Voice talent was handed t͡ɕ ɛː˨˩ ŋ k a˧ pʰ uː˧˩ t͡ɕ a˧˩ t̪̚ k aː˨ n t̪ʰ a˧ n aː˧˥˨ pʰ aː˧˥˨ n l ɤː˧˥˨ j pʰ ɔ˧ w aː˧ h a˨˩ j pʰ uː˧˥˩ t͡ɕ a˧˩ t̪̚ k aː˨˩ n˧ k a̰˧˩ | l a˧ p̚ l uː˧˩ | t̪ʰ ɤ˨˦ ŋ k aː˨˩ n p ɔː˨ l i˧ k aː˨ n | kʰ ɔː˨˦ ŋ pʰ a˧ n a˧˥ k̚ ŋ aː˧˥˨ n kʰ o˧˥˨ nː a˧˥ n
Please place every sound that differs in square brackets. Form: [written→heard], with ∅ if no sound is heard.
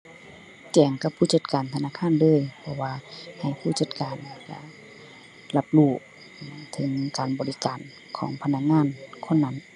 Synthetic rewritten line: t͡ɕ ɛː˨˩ ŋ k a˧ pʰ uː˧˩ t͡ɕ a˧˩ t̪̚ k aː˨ n t̪ʰ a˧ n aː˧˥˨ [pʰ→kʰ] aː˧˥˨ n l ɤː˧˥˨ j pʰ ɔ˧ w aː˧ h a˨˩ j pʰ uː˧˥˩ t͡ɕ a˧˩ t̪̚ k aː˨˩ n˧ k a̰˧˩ | l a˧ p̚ l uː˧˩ | t̪ʰ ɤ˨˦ ŋ k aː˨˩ n [p→b] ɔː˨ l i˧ k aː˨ n | kʰ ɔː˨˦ ŋ pʰ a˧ n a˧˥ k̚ ŋ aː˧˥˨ n kʰ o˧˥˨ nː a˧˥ n